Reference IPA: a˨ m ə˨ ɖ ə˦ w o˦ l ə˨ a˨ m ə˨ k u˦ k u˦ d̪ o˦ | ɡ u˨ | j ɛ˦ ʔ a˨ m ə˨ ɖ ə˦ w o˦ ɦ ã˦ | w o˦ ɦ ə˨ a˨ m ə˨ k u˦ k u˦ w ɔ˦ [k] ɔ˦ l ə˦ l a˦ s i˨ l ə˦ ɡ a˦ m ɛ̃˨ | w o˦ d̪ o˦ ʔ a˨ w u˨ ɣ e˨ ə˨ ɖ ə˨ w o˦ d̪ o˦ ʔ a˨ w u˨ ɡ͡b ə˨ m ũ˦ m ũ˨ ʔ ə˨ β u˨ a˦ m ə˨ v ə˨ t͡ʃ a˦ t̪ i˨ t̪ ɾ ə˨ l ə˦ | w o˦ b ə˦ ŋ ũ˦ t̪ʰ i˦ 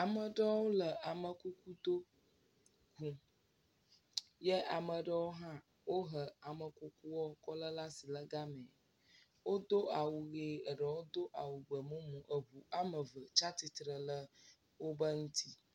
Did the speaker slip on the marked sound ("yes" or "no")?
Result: no